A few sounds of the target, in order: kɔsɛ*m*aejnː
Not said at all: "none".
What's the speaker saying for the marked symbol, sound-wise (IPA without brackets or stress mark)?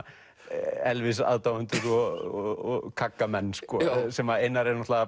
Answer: m